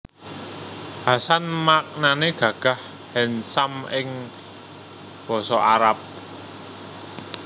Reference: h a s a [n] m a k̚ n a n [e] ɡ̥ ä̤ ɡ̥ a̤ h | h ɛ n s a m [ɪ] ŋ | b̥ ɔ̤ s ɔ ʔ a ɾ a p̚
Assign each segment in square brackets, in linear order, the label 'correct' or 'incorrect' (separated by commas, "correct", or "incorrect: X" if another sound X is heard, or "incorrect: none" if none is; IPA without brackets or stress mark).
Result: correct, correct, correct